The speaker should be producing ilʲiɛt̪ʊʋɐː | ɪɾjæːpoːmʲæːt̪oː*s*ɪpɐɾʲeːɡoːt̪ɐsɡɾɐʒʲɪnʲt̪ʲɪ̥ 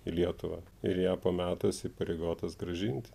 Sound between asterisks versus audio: correct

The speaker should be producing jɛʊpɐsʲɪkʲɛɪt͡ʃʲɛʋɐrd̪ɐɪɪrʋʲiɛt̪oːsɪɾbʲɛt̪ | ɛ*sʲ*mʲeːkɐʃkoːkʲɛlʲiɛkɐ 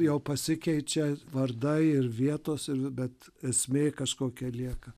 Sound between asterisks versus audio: correct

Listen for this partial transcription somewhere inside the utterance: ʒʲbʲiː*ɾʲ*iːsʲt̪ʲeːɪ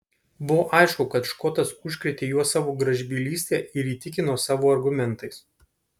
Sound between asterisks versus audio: incorrect: lʲ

